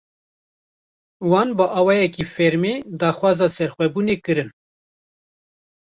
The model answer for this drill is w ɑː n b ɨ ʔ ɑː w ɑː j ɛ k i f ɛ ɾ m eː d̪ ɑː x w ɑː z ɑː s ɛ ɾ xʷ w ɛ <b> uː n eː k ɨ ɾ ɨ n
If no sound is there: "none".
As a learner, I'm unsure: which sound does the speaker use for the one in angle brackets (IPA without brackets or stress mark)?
b